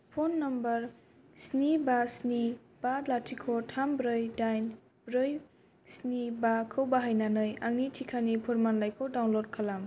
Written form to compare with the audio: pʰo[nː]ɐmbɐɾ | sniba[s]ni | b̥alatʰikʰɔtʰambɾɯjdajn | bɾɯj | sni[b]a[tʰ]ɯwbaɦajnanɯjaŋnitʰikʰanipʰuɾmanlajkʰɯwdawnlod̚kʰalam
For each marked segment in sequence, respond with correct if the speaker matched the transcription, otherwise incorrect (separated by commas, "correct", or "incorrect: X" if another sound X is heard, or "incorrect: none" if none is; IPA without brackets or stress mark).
correct, correct, correct, incorrect: kʰ